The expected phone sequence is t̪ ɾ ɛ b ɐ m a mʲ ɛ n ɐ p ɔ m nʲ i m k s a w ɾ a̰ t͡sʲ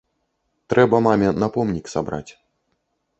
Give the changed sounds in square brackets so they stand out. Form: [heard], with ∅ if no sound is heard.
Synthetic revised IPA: t̪ ɾ ɛ b ɐ m a mʲ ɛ n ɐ p ɔ m nʲ i [∅] k s a [b] ɾ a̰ t͡sʲ